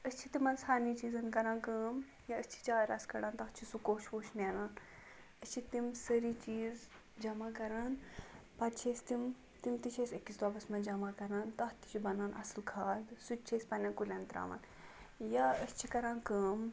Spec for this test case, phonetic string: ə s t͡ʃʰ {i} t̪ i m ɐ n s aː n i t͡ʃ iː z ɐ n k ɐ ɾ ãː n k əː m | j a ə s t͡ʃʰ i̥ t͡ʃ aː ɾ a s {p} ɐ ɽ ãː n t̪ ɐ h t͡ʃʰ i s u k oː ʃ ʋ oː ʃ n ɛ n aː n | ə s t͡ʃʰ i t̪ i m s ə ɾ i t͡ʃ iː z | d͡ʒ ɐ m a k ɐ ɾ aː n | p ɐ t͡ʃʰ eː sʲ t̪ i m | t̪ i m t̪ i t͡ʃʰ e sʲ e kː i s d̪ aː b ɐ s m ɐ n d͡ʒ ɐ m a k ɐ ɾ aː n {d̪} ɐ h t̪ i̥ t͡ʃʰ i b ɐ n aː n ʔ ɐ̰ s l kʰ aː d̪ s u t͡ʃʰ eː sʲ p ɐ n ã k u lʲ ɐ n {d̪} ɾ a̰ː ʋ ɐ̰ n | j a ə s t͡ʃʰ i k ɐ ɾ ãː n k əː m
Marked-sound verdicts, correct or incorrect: correct, incorrect: k, incorrect: t̪, incorrect: t̪

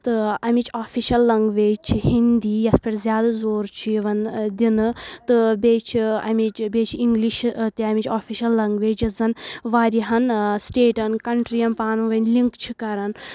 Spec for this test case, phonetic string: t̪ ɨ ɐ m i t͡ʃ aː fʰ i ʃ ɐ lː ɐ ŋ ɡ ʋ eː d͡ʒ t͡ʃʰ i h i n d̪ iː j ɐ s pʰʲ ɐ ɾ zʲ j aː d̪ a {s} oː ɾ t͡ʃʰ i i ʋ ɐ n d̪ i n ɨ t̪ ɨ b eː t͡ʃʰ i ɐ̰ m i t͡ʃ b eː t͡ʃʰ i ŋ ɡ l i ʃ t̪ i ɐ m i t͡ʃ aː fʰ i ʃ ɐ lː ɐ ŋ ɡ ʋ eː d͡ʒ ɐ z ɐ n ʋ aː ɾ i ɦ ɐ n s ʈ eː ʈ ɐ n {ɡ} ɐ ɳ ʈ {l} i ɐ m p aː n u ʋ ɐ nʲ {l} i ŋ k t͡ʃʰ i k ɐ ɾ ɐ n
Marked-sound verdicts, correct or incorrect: incorrect: z, incorrect: k, incorrect: ɾ, correct

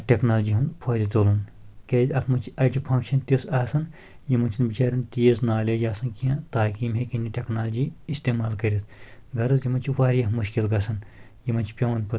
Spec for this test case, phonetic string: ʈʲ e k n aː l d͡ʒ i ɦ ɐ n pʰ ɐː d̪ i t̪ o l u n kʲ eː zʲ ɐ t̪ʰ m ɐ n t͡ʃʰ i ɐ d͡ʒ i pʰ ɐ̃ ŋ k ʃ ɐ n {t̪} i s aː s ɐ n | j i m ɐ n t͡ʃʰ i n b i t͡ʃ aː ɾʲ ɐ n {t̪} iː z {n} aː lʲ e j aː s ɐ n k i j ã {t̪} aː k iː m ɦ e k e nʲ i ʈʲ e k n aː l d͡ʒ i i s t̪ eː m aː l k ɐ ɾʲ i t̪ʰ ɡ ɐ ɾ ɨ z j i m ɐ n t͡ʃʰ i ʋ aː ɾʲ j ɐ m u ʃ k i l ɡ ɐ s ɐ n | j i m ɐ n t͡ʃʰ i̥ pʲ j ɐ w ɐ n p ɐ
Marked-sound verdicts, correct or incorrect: correct, correct, correct, correct

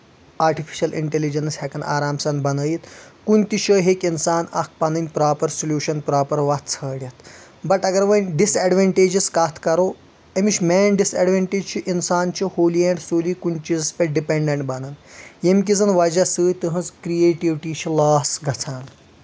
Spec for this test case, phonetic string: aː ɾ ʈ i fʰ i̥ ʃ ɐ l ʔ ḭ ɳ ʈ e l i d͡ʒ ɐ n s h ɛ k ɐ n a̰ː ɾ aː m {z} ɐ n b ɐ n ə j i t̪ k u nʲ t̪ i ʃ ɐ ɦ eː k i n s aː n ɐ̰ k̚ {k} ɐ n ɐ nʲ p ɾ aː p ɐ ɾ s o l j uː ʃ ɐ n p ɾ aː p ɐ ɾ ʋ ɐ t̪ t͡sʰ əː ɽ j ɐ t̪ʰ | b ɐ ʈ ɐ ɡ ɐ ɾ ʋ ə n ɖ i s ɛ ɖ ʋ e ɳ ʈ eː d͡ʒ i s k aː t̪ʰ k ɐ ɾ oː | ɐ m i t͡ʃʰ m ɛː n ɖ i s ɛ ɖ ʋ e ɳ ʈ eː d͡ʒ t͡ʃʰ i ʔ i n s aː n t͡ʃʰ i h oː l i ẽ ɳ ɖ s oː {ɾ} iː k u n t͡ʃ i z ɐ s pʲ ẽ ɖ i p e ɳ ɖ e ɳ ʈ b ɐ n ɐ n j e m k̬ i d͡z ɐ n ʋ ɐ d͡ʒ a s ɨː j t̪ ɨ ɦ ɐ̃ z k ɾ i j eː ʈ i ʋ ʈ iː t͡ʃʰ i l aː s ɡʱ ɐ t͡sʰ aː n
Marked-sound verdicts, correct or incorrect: incorrect: s, incorrect: p, incorrect: l

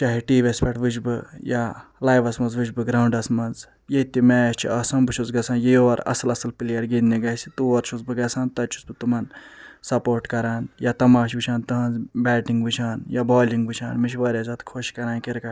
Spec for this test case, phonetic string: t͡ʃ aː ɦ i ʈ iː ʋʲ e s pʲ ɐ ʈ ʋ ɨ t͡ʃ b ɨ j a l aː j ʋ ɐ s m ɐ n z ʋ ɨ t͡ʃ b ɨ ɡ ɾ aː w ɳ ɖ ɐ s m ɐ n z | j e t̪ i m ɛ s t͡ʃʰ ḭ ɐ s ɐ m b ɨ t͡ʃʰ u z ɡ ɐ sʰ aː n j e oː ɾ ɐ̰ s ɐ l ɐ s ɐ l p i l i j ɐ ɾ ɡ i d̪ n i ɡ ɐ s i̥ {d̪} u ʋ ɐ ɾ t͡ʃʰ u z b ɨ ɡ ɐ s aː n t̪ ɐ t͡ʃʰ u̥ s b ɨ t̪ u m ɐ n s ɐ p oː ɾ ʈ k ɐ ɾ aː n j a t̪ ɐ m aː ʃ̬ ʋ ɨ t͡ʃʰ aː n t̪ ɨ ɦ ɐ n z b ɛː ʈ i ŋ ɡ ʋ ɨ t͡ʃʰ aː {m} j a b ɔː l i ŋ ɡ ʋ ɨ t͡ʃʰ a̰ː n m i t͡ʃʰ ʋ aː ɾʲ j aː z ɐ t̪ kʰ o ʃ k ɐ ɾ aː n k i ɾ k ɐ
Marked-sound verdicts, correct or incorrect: incorrect: t̪, incorrect: n

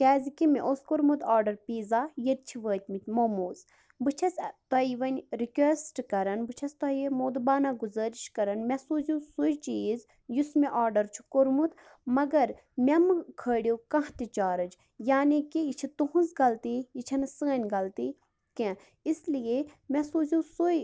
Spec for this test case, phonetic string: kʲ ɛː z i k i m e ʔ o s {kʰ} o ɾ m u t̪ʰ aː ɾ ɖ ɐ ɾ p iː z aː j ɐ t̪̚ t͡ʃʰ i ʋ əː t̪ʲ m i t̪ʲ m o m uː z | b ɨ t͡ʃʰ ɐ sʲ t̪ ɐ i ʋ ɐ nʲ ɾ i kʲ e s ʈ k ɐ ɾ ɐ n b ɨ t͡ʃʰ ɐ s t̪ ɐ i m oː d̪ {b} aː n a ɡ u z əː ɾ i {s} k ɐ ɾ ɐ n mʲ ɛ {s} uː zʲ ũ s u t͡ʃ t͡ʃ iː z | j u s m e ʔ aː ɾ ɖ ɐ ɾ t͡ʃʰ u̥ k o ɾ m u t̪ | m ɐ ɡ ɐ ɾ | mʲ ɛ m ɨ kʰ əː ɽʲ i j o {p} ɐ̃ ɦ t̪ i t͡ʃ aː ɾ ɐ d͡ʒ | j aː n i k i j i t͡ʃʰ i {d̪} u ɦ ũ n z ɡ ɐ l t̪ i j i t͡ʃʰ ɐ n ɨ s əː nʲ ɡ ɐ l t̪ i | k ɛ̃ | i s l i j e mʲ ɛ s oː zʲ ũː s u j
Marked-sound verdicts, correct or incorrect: incorrect: k, correct, incorrect: ʃ, correct, incorrect: k, incorrect: t̪

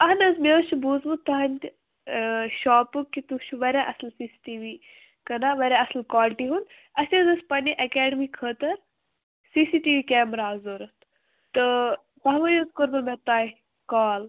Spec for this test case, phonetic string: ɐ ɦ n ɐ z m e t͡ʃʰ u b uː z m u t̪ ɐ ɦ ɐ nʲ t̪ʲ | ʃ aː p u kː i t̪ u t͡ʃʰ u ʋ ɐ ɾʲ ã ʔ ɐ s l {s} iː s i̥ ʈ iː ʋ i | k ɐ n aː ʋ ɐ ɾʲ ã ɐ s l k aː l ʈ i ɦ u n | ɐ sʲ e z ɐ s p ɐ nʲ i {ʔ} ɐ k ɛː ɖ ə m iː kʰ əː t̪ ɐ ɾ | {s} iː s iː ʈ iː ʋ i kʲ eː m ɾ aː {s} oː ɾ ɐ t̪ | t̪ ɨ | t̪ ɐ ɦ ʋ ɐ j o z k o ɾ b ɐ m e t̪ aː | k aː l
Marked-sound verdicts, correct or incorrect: correct, correct, correct, incorrect: z

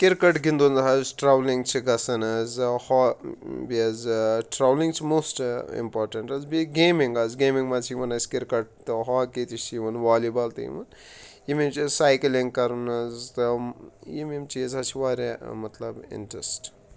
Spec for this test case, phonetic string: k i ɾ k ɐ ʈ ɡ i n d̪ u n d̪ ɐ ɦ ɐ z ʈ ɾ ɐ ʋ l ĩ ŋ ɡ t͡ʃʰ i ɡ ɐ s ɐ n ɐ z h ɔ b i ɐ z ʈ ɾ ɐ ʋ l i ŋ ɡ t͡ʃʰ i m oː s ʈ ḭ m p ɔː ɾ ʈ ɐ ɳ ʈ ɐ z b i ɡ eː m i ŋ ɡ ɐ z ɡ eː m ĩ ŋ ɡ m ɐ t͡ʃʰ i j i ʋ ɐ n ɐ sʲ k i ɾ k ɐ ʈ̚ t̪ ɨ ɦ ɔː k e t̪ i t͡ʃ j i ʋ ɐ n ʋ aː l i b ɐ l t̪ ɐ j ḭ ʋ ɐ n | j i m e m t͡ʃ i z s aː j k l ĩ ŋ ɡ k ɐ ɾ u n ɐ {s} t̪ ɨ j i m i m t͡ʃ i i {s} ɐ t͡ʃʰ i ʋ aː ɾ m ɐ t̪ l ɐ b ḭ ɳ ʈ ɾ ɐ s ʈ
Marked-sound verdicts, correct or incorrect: incorrect: z, incorrect: z

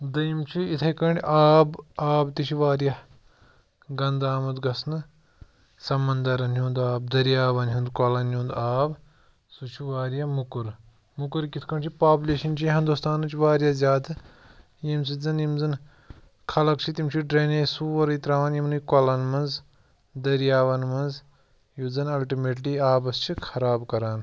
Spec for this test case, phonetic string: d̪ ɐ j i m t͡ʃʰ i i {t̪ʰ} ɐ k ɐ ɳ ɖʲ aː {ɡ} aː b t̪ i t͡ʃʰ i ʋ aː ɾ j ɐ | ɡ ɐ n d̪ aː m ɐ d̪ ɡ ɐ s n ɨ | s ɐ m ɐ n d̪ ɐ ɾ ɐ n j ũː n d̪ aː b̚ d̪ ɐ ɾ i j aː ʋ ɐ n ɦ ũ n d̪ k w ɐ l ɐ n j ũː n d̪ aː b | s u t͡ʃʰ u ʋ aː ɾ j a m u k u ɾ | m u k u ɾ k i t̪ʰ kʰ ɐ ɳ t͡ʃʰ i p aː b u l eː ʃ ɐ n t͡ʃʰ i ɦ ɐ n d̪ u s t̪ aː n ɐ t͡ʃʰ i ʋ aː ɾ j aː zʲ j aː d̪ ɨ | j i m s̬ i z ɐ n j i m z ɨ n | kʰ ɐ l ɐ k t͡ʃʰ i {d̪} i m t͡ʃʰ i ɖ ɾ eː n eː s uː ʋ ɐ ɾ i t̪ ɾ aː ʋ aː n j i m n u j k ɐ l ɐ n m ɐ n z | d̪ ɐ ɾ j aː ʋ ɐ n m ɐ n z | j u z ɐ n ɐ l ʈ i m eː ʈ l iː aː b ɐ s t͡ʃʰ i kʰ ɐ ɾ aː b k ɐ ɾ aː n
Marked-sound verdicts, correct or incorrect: correct, incorrect: b, incorrect: t̪

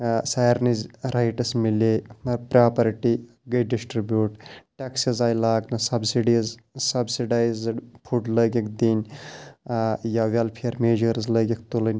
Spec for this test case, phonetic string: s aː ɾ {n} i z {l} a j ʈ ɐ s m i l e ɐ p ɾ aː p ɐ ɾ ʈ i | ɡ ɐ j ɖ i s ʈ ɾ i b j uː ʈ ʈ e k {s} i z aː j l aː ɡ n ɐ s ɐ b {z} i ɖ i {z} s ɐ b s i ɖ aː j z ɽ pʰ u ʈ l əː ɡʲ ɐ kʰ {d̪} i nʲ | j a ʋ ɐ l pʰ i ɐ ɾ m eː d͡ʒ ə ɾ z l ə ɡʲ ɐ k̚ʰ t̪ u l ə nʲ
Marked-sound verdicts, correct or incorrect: correct, incorrect: ɾ, correct, incorrect: s, correct, correct

